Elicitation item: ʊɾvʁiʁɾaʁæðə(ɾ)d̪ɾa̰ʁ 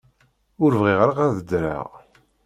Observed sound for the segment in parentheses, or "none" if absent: none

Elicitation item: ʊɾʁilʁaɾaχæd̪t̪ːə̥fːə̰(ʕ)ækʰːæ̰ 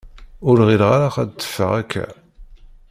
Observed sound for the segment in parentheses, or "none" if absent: ʁ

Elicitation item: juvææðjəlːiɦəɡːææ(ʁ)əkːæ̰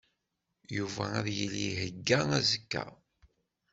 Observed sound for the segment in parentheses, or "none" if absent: z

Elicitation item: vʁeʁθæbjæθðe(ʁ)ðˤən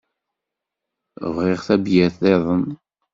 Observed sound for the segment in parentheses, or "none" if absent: none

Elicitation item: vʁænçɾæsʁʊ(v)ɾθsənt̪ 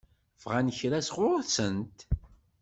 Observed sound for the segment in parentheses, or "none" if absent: none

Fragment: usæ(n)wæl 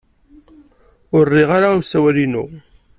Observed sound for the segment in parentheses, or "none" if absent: none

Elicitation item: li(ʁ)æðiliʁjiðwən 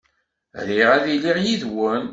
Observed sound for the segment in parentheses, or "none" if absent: ʁ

